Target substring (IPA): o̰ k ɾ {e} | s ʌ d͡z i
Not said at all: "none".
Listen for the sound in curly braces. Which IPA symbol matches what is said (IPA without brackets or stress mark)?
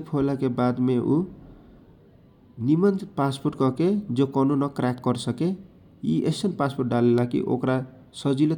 a